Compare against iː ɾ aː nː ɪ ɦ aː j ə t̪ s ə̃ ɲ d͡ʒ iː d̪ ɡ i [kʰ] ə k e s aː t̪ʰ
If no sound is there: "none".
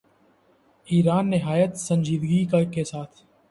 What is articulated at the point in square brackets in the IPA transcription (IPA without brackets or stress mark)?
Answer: k